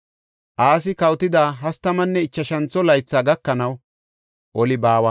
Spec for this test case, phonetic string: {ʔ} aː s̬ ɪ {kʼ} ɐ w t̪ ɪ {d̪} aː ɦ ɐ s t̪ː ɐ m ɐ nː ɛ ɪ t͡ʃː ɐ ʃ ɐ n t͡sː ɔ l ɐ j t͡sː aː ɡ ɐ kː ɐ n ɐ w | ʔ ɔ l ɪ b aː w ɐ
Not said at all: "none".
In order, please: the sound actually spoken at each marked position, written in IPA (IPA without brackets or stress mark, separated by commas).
ʔ, k, d̪